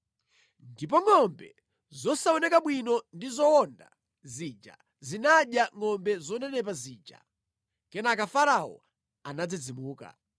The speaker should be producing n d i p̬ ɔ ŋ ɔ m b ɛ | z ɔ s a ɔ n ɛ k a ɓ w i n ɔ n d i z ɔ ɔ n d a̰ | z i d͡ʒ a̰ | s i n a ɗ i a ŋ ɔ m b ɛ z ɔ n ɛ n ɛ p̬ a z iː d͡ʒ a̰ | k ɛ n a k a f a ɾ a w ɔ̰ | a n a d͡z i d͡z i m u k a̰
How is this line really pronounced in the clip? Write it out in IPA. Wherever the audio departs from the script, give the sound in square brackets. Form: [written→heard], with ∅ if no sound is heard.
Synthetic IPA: n d i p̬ ɔ ŋ ɔ m b ɛ | z ɔ s a ɔ n ɛ k a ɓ w i n ɔ n d i z ɔ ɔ n d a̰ | z i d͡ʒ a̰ | [s→z] i n a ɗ [i→j] a ŋ ɔ m b ɛ z ɔ n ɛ n ɛ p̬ a z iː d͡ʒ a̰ | k ɛ n a k a f a ɾ a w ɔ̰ | a n a d͡z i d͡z i m [u→uː] k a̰